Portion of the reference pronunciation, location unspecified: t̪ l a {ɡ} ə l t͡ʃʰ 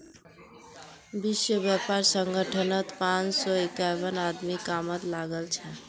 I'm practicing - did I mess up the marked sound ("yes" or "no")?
no